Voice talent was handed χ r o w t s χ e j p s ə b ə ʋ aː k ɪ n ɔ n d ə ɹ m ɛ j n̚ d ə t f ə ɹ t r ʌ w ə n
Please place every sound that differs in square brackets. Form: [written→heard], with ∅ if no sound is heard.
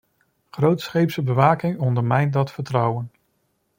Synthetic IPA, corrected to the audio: χ r o w t s χ e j p s ə b ə ʋ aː k ɪ [n→ŋ] ɔ n d ə ɹ m ɛ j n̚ d [ə→ɑ] t f ə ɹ t r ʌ w ə n